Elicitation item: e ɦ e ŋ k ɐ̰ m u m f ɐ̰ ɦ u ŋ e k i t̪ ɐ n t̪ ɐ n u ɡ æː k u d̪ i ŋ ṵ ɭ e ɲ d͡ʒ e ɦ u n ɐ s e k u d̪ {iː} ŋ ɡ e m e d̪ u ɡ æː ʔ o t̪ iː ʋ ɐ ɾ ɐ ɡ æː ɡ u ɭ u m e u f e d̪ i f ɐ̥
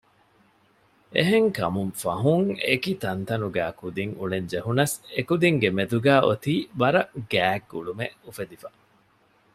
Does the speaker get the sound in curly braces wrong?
yes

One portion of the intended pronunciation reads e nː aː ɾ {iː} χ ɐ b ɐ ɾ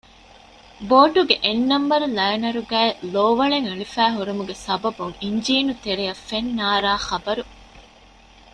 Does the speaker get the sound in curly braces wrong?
yes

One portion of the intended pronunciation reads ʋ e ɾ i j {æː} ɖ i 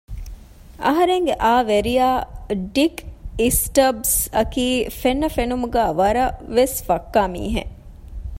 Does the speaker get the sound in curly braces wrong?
yes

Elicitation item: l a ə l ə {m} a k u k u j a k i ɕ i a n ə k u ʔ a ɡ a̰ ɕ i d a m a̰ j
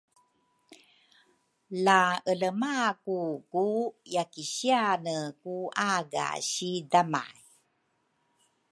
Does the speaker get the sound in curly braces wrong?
no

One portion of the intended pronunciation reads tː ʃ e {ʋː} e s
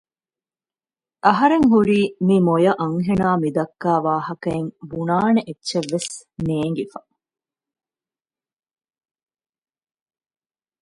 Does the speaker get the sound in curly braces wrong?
no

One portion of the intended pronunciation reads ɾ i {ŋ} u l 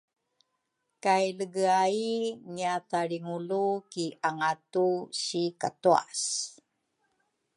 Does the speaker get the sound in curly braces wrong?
no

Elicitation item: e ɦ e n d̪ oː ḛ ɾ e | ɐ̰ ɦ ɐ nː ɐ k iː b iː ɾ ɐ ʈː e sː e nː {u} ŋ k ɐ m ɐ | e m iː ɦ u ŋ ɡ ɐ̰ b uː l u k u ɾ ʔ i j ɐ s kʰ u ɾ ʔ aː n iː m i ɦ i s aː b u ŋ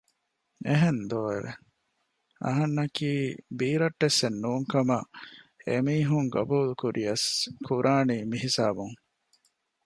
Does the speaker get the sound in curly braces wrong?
yes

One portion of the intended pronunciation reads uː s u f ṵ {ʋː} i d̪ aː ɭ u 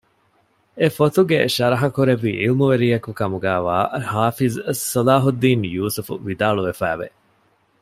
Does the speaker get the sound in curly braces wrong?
yes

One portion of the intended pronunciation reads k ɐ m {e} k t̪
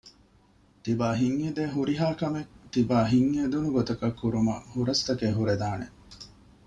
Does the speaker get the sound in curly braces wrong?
no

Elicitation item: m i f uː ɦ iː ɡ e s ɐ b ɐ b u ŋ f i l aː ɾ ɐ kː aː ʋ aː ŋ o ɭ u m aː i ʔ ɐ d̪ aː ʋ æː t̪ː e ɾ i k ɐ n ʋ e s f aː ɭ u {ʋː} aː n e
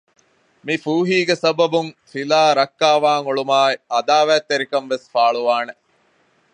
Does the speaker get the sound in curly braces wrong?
yes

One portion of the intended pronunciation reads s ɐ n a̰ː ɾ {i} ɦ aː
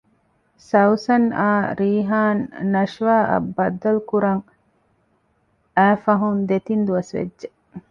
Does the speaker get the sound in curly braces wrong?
yes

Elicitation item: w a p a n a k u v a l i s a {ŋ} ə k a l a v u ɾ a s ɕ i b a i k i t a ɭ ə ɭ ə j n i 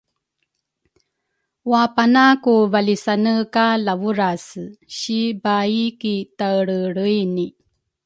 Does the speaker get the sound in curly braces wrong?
yes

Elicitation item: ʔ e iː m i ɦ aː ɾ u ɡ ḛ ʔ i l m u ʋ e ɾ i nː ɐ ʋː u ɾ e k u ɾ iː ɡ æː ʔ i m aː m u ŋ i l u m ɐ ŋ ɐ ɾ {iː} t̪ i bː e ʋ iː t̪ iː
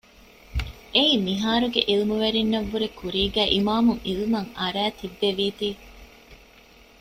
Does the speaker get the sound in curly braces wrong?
yes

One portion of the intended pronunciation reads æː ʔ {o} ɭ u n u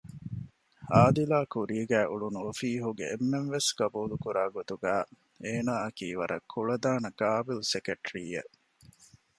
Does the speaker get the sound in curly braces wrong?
yes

